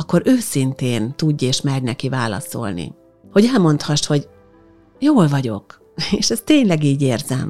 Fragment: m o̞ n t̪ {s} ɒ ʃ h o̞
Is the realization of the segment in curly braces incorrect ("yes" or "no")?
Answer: yes